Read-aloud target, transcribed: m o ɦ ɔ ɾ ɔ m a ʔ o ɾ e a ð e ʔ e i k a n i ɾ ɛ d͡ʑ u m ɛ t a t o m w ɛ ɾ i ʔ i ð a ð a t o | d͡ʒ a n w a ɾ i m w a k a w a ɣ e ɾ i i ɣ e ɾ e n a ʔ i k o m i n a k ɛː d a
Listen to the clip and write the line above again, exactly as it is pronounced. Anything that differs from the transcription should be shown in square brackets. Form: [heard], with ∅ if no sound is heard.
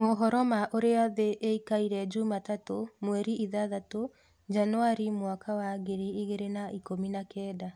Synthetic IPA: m o ɦ ɔ ɾ ɔ m a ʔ o ɾ e a ð e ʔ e i k a [∅] i ɾ ɛ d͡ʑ u m [a] t a t o m w ɛ ɾ i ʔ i ð a ð a t o | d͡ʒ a n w a ɾ i m w a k a w a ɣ e ɾ i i ɣ e ɾ e n a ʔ i k o m i n a k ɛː d a